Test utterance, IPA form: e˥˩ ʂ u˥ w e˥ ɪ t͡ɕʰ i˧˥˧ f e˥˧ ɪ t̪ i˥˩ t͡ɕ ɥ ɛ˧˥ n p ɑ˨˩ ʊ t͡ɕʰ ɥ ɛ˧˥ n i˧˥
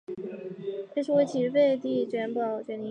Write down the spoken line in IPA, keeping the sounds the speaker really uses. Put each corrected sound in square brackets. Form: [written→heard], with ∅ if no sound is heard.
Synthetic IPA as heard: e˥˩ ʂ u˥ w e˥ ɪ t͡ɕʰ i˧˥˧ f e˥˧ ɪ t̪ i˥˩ t͡ɕ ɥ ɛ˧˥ n p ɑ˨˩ ʊ [t͡ɕʰ→t͡ɕ] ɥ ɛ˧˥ n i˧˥